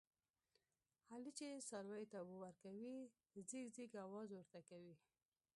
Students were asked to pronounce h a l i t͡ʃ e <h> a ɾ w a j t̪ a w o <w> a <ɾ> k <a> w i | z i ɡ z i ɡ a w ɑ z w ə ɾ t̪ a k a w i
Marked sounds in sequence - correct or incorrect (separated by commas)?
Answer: incorrect, correct, correct, correct